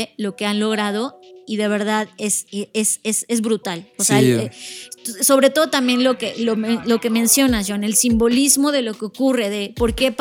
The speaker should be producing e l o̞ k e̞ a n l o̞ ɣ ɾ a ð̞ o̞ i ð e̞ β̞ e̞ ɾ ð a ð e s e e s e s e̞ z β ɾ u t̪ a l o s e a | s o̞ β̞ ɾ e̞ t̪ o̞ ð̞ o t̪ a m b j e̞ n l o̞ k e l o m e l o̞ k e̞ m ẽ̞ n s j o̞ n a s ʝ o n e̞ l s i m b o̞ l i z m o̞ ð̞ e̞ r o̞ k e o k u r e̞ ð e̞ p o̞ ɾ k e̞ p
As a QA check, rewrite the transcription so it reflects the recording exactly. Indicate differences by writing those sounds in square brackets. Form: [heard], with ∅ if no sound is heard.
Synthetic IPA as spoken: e l o̞ k e̞ a n l o̞ ɣ ɾ a ð̞ o̞ i ð e̞ β̞ e̞ ɾ ð a ð e s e e s e s e̞ z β ɾ u t̪ a l o s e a | s o̞ β̞ ɾ e̞ t̪ o̞ ð̞ o t̪ a m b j e̞ n l o̞ k e l o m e l o̞ k e̞ m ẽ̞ n s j o̞ n a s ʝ o n e̞ l s i m b o̞ l i z m o̞ ð̞ e̞ [l] o̞ k e o k u r e̞ ð e̞ p o̞ ɾ k e̞ p